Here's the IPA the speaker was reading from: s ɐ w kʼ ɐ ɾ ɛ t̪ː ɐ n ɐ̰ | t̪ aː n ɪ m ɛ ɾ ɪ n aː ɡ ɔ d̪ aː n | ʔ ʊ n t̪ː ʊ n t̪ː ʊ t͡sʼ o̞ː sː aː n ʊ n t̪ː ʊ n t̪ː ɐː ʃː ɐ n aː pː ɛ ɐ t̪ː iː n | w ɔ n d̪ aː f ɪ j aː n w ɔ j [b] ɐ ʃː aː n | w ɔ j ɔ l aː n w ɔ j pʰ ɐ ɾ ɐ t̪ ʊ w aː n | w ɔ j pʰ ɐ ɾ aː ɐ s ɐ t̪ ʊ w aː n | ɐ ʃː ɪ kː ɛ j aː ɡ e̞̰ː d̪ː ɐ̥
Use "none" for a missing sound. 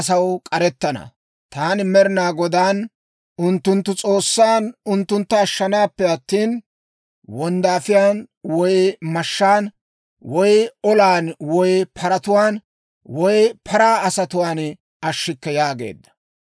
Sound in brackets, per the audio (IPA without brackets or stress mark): m